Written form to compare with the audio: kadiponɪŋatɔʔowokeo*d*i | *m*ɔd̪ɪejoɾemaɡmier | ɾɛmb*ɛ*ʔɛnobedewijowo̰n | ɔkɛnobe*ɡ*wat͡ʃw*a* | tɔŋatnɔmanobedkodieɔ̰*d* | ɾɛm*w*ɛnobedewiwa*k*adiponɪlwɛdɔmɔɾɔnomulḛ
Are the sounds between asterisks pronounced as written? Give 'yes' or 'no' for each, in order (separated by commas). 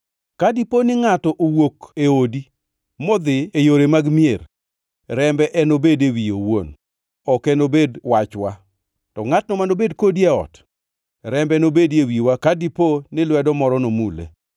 yes, yes, yes, no, yes, no, no, yes